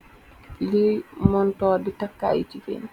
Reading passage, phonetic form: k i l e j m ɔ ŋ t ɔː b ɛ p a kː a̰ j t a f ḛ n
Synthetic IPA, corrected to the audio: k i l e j m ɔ n t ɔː d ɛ t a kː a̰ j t i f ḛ n